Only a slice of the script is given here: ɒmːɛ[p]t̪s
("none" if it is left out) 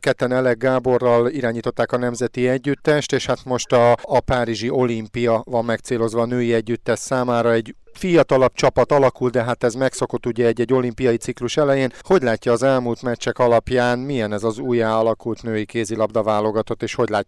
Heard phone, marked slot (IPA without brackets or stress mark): k